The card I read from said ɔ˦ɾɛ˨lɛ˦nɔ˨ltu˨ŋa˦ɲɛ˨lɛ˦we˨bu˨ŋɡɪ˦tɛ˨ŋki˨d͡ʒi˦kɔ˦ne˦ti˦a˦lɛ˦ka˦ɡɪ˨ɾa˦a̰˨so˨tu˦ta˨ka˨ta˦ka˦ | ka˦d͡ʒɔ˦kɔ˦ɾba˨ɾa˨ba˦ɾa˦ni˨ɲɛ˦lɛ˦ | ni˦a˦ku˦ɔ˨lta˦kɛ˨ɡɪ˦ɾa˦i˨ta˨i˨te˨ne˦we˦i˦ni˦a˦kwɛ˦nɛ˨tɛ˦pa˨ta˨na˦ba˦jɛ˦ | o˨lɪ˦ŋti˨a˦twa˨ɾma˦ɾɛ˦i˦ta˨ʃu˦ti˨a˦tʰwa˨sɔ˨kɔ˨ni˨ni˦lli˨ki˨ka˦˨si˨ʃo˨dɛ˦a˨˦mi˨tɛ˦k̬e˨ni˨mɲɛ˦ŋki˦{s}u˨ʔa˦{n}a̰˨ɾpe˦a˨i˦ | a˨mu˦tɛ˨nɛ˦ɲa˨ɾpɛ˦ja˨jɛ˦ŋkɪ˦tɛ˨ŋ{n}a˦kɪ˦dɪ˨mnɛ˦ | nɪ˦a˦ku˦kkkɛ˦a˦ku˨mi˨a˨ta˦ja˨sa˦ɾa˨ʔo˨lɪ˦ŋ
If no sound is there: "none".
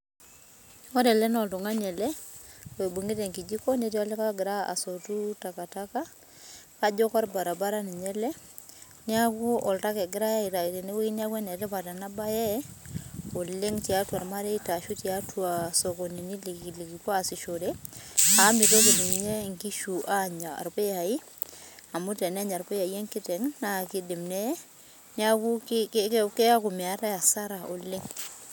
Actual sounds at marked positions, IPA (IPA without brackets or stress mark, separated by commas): ʃ, ɲ, n